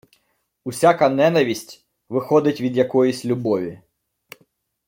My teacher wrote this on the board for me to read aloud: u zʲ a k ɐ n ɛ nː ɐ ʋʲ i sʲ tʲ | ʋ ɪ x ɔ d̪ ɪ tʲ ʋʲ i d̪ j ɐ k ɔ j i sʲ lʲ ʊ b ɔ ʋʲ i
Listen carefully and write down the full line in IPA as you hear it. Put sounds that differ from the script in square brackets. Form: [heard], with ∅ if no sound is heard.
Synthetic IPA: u [sʲ] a k ɐ n ɛ [n] ɐ ʋʲ i sʲ tʲ | ʋ ɪ x ɔ d̪ ɪ tʲ ʋʲ i d̪ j ɐ k ɔ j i sʲ lʲ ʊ b ɔ ʋʲ i